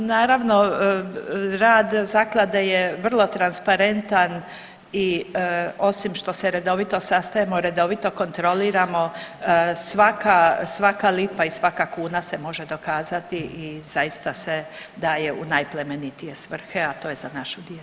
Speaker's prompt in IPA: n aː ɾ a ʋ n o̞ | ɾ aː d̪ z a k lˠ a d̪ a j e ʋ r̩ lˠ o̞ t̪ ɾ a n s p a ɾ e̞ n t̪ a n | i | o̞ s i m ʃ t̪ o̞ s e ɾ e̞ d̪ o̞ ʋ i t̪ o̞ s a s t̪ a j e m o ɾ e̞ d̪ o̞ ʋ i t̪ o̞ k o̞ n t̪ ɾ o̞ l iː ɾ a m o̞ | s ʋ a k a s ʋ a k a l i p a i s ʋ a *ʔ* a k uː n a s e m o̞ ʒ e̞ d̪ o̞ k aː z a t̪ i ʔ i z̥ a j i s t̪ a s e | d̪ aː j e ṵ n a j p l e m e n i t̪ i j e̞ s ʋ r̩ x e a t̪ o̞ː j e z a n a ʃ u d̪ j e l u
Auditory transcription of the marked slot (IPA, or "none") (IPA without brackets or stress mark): k